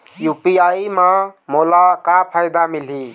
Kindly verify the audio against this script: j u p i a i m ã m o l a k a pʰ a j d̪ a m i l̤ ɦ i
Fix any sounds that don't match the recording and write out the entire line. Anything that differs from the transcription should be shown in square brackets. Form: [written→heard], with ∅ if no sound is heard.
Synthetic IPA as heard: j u p i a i m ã m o l a k a pʰ a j d̪ a m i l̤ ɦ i